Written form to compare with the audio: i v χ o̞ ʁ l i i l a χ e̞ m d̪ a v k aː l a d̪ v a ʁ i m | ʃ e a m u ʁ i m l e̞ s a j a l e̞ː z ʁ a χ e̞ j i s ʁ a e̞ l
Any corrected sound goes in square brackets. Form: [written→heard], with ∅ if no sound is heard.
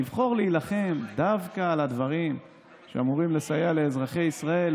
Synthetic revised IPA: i v χ o̞ ʁ l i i l a χ e̞ m d̪ a v k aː l a d̪ v a ʁ i m | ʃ e a m u ʁ i m l e̞ s a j a l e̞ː z ʁ a χ e̞ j i s ʁ a e̞ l